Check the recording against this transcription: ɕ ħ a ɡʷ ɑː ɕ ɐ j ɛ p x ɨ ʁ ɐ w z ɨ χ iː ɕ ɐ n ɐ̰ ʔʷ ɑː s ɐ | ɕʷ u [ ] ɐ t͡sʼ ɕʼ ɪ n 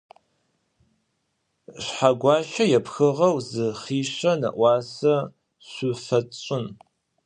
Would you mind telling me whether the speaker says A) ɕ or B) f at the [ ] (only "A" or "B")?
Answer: B